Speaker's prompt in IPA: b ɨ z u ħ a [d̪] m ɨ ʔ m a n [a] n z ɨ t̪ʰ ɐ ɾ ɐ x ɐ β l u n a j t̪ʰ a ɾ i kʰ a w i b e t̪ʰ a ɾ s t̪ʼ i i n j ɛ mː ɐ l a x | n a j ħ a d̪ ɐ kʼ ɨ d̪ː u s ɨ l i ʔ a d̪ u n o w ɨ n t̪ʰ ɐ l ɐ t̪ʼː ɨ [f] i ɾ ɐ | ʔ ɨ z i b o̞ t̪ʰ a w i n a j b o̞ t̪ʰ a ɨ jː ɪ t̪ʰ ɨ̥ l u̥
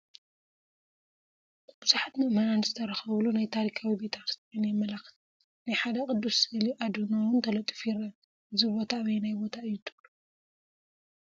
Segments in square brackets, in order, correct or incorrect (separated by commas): incorrect, correct, correct